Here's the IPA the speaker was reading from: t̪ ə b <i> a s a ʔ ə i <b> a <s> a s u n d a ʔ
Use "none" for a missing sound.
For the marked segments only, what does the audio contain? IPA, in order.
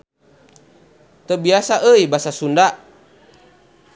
i, b, s

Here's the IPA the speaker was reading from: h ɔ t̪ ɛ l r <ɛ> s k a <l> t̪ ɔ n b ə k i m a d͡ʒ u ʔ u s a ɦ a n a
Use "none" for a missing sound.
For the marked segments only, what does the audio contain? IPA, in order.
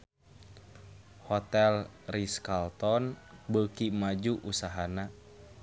i, l

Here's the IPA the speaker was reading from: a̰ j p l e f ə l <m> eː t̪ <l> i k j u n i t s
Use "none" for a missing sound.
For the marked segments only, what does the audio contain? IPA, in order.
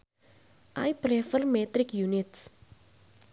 m, ɾ

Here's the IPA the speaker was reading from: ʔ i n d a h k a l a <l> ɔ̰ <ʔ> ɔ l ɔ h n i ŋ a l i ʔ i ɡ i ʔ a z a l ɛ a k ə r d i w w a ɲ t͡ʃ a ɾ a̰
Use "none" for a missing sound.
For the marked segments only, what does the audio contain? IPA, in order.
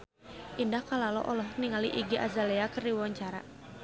l, ʔ

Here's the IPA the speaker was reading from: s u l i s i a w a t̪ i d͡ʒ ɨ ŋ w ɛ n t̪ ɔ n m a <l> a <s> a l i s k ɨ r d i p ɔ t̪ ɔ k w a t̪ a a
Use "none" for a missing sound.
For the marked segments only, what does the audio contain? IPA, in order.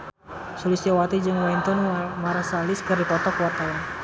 ɾ, s

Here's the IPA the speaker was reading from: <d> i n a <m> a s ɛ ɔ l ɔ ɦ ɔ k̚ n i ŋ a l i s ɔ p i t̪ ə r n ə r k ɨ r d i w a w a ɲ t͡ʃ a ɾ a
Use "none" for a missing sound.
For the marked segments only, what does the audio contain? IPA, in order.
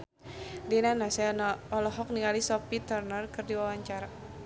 d, n

